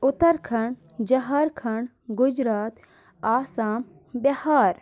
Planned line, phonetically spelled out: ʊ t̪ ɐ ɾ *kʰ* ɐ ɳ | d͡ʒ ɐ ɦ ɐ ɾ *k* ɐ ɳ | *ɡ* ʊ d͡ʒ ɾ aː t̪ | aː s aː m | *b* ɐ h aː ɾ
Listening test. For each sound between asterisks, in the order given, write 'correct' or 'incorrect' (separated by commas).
correct, incorrect, correct, correct